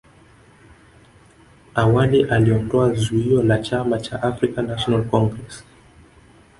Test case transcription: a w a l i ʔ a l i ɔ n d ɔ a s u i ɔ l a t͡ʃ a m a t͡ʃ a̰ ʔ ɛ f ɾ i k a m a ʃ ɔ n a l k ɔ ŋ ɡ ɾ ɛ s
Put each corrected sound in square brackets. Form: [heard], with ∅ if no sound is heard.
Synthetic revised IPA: a w a l i ʔ a l i ɔ n d ɔ a [z] u i ɔ l a t͡ʃ a m a t͡ʃ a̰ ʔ [a] f ɾ i k a [n] a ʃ ɔ n a l k ɔ ŋ ɡ ɾ ɛ s